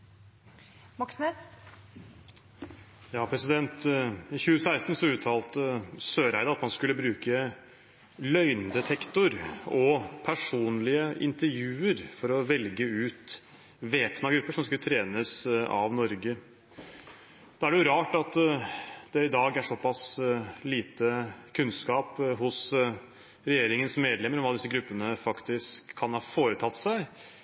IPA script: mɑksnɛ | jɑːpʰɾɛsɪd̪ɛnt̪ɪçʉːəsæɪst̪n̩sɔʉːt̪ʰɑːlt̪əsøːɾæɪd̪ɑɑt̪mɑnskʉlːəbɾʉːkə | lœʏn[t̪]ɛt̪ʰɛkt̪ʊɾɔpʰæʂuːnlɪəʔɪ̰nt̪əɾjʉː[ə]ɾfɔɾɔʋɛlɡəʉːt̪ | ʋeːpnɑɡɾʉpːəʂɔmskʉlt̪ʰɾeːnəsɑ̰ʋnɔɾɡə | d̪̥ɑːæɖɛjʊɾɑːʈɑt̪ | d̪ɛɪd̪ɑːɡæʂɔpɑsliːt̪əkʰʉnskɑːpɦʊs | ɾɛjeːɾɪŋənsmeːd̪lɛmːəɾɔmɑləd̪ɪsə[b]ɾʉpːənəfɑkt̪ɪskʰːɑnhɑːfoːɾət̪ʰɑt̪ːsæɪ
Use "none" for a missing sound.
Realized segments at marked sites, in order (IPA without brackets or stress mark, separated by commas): d̪, ə, ɡ